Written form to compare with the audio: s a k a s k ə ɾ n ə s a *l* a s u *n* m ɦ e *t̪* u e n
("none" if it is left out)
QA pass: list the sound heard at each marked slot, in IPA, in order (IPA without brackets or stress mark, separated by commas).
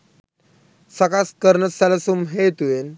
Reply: l, none, t̪